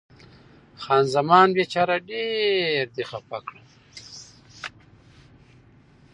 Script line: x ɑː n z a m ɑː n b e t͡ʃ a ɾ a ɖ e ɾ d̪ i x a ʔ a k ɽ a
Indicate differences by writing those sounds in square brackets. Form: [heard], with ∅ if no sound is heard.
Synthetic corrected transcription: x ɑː n z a m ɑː n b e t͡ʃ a ɾ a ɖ e ɾ d̪ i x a [p] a k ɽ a